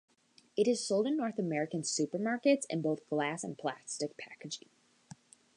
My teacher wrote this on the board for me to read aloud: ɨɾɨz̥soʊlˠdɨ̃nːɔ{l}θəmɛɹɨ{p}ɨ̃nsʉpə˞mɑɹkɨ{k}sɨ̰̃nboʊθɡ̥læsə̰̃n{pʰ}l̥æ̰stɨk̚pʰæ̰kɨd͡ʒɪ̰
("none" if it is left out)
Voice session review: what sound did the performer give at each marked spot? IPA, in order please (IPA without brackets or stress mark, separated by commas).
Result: ɹ, k, t, pʰ